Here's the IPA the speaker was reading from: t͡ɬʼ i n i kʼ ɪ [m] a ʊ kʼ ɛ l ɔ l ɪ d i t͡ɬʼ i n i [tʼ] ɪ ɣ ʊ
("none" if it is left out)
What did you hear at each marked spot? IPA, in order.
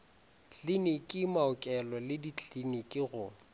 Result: m, kʼ

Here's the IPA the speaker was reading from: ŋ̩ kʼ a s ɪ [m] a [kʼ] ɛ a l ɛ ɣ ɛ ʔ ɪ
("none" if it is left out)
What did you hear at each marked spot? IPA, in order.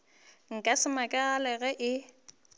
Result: m, kʼ

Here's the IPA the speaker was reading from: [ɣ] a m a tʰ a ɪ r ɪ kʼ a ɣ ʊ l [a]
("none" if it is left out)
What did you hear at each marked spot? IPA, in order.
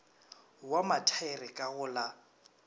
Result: w, a

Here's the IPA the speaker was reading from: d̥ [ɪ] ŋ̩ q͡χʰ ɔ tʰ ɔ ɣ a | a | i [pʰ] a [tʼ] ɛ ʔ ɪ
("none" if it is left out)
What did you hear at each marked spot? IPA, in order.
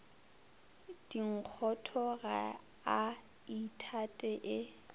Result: i, tʰ, tʼ

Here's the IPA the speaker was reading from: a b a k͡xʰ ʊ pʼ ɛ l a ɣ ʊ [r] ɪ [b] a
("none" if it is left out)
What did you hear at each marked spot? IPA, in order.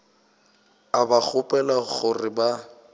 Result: r, b

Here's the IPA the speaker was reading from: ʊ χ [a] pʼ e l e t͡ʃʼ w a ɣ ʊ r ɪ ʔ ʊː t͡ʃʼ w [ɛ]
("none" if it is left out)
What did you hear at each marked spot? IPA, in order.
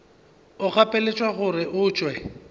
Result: a, ɛ

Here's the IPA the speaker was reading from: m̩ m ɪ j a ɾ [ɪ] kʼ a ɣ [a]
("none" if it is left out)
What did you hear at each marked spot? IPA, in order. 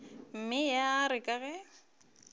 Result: ɪ, ɛ

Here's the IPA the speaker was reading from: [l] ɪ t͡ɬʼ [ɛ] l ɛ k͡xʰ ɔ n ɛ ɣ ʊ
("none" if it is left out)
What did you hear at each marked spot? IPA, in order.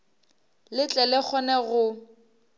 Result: l, ɛ

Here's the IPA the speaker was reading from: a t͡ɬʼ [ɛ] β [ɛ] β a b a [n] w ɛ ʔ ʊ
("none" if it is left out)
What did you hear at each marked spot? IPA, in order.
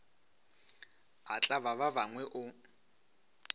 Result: a, a, ŋ

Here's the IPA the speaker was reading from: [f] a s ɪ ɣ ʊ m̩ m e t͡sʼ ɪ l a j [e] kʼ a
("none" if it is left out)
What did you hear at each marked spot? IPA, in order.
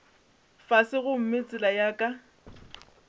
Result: f, a

